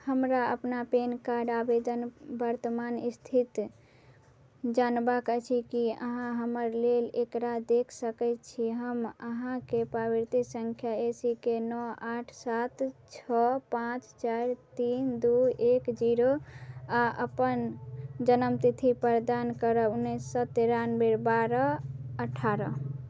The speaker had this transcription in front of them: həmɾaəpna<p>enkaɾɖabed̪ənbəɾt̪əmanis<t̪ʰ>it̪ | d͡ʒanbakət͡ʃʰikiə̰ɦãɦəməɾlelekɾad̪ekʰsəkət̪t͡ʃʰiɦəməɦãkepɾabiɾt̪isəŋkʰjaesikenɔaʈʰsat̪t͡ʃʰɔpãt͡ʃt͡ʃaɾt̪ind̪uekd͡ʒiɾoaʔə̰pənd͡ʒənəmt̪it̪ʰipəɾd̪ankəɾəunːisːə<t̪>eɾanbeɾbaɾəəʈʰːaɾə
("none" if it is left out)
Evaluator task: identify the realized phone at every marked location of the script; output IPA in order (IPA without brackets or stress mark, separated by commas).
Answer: p, t̪ʰ, t̪